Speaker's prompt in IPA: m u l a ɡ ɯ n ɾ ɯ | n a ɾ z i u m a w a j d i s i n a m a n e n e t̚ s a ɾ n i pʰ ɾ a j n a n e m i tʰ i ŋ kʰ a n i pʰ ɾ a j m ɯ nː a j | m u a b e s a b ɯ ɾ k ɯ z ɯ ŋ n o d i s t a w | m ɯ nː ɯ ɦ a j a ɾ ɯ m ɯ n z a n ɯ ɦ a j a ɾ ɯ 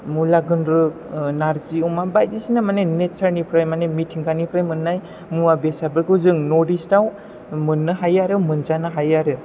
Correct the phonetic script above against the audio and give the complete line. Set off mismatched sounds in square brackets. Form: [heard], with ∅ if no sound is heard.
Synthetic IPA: m u l a ɡ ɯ n ɾ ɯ | n a ɾ z i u m a [b] a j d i s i n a m a n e n e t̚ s a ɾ n i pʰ ɾ a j [m] a n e m i tʰ i ŋ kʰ a n i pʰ ɾ a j m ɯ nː a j | m u a b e s a b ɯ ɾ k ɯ z ɯ ŋ n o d i s t a w | m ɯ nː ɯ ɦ a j a ɾ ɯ m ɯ n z a n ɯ ɦ a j a ɾ ɯ